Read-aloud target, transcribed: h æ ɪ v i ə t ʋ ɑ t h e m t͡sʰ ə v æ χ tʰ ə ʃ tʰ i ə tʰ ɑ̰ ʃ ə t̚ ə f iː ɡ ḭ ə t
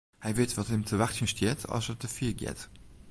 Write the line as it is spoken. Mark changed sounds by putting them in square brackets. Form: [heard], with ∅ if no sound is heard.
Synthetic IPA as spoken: h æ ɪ v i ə t [v] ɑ t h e m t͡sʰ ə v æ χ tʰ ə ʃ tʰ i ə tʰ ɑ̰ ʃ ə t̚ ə f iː ɡ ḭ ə t